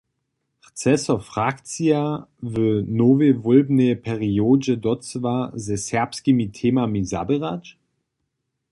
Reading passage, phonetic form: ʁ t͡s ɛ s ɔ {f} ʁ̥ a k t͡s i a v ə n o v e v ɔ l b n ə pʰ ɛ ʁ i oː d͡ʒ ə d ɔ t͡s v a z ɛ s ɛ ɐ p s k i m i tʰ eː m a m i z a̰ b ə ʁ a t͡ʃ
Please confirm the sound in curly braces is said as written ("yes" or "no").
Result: yes